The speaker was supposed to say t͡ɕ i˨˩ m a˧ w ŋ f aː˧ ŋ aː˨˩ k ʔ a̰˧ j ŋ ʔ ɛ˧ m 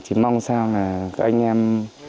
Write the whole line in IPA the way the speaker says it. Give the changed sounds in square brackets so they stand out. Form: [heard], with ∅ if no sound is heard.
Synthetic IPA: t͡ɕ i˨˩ m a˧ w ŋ [s] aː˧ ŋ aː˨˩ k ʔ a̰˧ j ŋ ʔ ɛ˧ m